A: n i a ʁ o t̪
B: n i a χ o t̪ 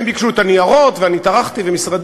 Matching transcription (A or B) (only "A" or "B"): A